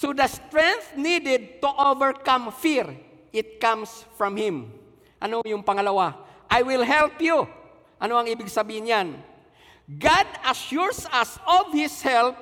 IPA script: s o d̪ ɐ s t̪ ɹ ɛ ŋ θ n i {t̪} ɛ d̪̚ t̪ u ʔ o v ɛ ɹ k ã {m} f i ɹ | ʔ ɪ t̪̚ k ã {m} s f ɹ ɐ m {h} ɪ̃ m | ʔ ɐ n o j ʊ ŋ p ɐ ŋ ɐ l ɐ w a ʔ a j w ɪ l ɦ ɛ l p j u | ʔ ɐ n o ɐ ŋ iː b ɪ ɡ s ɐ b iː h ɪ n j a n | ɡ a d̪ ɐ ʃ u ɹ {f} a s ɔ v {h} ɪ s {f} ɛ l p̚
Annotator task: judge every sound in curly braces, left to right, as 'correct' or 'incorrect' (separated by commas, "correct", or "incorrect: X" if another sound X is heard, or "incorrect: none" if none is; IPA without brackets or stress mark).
incorrect: d̪, correct, correct, correct, incorrect: s, correct, incorrect: h